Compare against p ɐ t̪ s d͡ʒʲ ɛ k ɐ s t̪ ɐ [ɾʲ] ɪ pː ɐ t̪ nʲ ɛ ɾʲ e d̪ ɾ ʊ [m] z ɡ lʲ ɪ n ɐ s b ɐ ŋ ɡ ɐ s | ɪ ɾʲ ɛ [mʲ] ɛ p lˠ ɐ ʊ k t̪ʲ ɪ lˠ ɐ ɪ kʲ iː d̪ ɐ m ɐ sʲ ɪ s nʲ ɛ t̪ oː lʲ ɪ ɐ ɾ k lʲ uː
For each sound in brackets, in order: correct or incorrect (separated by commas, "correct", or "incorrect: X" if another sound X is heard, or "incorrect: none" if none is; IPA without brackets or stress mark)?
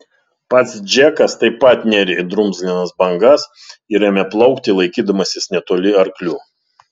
incorrect: none, correct, correct